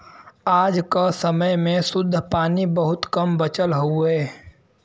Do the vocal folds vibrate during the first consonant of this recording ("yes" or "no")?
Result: yes